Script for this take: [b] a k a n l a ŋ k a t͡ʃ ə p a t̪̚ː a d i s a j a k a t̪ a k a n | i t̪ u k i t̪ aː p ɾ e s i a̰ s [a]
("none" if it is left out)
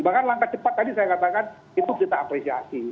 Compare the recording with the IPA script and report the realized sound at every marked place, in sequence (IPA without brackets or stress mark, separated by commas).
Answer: b, i